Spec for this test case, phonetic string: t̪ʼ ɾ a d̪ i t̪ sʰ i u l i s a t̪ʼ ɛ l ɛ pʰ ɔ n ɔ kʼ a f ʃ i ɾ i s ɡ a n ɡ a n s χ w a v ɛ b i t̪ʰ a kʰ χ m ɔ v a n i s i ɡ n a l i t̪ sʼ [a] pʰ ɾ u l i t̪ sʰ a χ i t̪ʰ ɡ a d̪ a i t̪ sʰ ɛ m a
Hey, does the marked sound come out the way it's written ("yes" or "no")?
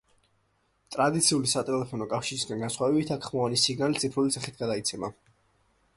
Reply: no